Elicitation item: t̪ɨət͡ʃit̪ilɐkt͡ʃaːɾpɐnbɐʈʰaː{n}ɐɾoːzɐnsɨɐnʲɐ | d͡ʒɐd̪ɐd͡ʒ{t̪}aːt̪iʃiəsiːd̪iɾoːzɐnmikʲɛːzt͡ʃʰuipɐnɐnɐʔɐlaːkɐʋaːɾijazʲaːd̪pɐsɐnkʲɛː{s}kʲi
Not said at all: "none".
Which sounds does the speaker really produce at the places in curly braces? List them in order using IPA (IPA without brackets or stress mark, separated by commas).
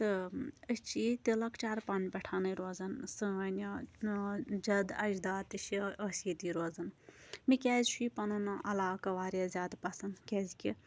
n, d̪, z